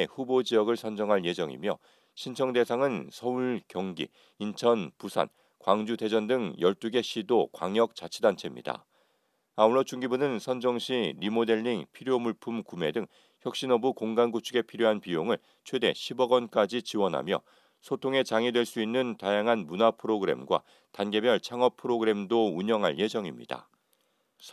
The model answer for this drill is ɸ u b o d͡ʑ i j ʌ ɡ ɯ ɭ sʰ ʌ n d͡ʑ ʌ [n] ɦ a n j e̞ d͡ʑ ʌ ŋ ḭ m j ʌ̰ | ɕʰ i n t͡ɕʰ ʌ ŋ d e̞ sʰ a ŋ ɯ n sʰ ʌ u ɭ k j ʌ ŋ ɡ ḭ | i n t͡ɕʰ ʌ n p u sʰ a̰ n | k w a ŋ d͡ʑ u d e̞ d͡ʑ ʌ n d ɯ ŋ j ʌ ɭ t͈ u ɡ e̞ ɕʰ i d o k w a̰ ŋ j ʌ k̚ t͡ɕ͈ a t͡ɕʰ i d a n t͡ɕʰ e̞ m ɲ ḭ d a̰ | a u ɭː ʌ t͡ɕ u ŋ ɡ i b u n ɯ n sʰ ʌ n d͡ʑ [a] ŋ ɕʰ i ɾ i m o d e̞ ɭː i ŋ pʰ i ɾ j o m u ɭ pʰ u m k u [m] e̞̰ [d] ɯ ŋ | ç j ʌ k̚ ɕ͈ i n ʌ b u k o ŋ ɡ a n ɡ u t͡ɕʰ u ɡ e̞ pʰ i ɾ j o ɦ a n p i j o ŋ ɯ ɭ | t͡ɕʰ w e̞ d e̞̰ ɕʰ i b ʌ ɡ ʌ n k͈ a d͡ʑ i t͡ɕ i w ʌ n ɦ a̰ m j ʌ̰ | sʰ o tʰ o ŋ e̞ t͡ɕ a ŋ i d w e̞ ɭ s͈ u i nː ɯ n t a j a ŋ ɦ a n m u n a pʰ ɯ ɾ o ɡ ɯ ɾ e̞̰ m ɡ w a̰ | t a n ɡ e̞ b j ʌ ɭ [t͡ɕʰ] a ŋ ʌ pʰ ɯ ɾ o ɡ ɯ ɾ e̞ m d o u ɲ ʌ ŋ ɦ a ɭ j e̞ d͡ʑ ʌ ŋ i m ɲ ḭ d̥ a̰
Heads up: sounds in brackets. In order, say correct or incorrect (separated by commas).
incorrect, incorrect, correct, correct, correct